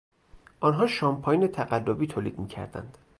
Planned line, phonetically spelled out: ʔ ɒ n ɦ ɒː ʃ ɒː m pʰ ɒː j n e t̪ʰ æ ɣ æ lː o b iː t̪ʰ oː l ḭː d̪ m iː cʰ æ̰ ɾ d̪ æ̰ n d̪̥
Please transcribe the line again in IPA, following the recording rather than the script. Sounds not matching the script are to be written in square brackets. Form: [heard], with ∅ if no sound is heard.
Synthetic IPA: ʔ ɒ n ɦ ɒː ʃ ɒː m pʰ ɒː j n e t̪ʰ æ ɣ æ lː o b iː t̪ʰ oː l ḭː d̪ m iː cʰ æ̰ ɾ d̪ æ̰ n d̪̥